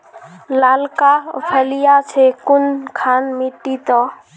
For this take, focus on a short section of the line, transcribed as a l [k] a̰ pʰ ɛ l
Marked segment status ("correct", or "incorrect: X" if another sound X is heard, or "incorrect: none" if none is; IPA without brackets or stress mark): correct